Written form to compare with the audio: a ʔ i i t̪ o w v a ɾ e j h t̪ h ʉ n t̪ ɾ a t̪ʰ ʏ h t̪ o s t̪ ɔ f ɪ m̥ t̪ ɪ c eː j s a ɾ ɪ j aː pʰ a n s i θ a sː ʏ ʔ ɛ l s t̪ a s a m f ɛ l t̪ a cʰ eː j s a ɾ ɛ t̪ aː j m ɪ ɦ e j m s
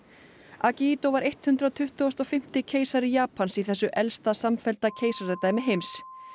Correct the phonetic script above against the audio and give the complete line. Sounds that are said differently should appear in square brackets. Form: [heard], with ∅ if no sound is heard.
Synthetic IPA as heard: a [c] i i t̪ o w v a ɾ e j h t̪ h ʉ n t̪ ɾ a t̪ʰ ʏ h t̪ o s t̪ ɔ f ɪ m̥ t̪ ɪ [cʰ] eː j s a ɾ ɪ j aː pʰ a n s i θ [ɛ] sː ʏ ʔ ɛ l s t̪ a s a m f ɛ l t̪ a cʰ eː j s a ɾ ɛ t̪ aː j m ɪ ɦ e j m s